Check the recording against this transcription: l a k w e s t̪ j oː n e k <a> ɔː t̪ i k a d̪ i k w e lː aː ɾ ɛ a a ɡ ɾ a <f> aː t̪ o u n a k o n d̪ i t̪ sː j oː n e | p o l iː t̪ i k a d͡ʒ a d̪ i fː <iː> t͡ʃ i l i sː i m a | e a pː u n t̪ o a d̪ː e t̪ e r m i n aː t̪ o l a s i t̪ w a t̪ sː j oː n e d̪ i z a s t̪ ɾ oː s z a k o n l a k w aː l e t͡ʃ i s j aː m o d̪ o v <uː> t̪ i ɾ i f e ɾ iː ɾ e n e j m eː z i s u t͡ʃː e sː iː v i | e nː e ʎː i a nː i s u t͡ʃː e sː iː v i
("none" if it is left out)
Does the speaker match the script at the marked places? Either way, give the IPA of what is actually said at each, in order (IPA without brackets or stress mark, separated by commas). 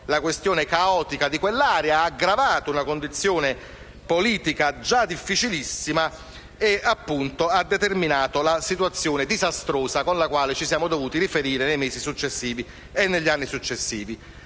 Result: a, v, i, uː